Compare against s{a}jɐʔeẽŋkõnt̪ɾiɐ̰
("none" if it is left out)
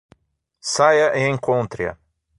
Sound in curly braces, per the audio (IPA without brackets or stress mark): a